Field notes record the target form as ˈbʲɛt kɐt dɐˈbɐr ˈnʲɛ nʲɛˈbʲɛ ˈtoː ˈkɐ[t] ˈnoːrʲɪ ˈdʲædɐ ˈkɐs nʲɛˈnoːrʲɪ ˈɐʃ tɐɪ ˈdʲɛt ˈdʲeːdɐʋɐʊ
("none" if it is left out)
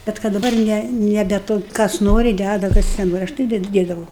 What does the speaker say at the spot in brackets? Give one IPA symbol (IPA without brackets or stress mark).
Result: s